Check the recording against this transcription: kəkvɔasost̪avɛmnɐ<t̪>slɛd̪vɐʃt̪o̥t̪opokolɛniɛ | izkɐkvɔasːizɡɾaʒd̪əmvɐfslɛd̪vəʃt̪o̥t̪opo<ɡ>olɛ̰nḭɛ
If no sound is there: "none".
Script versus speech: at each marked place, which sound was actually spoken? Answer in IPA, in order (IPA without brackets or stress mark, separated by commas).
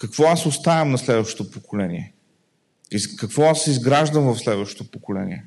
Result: none, k